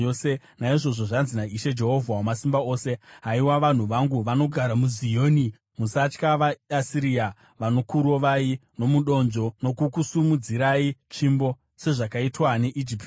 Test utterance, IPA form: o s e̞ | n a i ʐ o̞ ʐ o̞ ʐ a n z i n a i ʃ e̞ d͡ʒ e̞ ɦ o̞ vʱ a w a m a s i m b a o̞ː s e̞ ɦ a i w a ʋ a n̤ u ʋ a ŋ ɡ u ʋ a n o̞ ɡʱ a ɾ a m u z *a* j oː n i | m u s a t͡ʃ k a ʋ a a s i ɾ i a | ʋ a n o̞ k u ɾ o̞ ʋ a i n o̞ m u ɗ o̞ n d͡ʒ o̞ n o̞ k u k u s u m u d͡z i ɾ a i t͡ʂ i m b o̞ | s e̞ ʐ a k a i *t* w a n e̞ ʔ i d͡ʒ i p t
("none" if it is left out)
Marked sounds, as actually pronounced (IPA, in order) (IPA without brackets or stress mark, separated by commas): i, t